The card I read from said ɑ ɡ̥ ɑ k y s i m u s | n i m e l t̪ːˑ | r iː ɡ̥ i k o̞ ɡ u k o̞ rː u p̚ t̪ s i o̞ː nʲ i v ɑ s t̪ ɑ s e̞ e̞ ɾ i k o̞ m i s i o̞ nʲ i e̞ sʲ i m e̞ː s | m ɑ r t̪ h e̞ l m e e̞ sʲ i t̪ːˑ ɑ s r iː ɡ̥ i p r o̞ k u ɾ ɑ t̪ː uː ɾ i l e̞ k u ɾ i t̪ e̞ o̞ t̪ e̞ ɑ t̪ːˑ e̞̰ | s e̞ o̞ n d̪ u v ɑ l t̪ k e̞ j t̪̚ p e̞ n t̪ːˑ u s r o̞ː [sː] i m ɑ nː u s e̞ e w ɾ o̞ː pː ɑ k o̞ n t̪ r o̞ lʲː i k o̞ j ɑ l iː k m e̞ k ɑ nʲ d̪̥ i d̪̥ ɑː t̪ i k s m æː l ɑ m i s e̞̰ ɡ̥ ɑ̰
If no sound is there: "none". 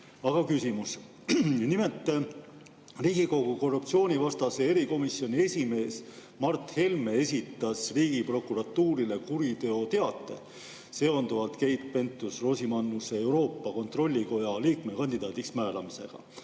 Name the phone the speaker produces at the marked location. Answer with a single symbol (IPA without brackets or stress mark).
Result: s